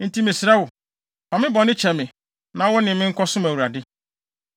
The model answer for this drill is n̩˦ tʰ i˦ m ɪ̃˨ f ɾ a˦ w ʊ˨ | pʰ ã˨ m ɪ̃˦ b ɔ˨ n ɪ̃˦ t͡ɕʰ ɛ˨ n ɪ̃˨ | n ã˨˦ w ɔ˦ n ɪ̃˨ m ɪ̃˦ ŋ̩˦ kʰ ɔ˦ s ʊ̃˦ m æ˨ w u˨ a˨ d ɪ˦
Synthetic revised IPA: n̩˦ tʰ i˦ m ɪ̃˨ s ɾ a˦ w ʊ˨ | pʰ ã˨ m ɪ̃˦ b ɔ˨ n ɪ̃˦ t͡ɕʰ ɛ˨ m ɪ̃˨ | n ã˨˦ w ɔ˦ n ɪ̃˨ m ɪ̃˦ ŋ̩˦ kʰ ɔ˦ s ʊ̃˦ m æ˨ w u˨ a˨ d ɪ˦